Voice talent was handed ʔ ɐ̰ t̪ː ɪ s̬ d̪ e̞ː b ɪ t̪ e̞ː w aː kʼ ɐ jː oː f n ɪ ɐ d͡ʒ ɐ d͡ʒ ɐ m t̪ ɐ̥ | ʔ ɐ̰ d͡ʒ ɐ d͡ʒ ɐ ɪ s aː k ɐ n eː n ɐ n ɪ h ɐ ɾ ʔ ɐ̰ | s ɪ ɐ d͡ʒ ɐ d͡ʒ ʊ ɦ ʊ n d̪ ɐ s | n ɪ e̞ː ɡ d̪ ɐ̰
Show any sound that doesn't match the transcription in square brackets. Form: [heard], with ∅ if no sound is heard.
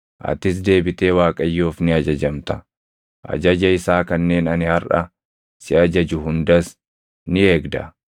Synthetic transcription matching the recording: ʔ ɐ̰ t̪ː ɪ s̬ d̪ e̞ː b ɪ t̪ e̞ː w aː kʼ ɐ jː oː f n ɪ ɐ d͡ʒ ɐ d͡ʒ ɐ m t̪ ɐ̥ | ʔ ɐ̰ d͡ʒ ɐ d͡ʒ ɐ ɪ s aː k ɐ [nː] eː n ɐ n ɪ h ɐ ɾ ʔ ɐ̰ | s ɪ ɐ d͡ʒ ɐ d͡ʒ ʊ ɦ ʊ n d̪ ɐ s | n ɪ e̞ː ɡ d̪ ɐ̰